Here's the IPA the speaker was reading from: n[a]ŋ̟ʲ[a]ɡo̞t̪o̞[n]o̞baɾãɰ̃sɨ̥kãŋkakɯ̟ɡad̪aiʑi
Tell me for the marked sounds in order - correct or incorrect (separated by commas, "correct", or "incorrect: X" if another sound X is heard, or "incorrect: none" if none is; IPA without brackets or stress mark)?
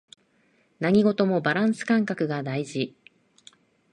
correct, incorrect: i, incorrect: m